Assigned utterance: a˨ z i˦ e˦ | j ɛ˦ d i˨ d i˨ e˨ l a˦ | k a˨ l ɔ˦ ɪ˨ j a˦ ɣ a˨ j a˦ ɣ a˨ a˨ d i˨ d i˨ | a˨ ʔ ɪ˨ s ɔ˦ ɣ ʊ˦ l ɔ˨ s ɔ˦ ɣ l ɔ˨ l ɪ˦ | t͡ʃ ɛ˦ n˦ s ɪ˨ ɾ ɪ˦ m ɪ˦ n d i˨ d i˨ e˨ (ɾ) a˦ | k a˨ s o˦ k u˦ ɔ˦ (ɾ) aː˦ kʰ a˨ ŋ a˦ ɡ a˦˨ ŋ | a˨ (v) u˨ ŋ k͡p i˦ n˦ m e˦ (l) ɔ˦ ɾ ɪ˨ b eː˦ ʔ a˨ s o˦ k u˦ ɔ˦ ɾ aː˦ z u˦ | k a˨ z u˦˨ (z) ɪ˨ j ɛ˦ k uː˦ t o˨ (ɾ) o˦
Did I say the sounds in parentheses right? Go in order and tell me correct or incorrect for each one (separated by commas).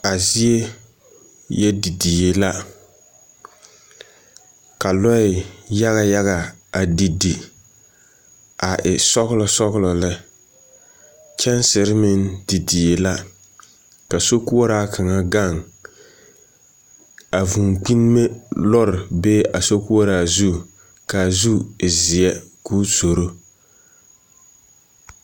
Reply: incorrect, correct, correct, correct, correct, correct